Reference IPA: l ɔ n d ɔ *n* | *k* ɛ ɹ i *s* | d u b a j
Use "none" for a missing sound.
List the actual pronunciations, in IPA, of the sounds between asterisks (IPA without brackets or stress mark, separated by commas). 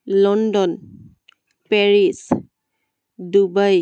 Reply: n, p, s